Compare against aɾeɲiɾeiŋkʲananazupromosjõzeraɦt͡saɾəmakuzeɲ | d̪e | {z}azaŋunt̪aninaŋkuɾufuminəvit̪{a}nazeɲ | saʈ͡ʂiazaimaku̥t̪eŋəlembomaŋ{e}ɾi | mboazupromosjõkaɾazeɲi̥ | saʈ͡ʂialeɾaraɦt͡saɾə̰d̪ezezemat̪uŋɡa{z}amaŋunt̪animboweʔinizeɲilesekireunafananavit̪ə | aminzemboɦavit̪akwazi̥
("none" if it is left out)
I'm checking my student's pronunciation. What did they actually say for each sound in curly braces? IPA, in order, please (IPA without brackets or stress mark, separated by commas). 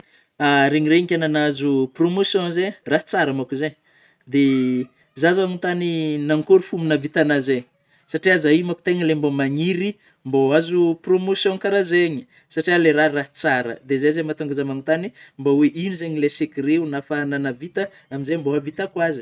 z, a, i, z